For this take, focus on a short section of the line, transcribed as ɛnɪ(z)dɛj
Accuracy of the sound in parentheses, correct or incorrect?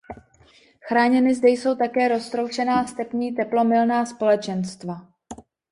correct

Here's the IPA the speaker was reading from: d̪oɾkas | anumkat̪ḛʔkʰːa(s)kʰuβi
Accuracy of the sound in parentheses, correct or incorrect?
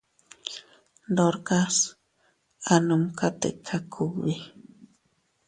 incorrect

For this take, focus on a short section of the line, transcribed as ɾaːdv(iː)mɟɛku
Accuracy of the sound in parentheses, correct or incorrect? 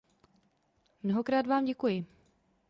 incorrect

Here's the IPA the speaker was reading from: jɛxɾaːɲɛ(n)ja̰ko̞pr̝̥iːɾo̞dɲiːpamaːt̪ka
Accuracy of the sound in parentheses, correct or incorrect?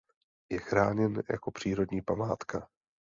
correct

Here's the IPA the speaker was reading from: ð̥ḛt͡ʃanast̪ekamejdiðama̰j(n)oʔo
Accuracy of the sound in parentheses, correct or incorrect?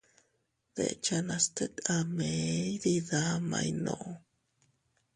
correct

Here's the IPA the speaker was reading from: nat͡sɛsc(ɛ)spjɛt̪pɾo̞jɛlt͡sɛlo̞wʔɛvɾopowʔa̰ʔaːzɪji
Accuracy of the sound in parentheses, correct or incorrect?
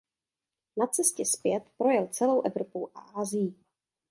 correct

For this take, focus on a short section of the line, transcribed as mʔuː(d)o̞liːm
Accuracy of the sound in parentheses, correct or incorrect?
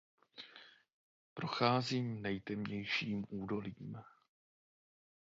correct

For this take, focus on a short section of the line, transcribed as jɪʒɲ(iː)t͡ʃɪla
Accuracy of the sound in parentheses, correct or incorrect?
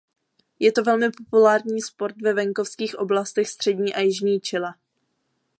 correct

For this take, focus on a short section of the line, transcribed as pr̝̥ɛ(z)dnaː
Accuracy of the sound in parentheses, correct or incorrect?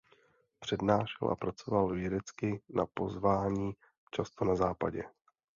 incorrect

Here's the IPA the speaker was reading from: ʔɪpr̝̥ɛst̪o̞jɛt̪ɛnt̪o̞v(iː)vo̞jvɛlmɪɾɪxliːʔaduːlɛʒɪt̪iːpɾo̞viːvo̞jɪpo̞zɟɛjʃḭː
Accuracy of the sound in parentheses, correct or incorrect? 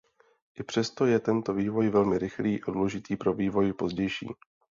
correct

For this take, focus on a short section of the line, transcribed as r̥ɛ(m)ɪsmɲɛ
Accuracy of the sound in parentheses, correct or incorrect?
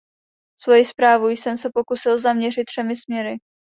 correct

